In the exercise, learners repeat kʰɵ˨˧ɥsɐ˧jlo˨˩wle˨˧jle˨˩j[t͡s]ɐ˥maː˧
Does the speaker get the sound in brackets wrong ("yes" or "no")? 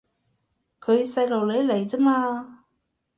no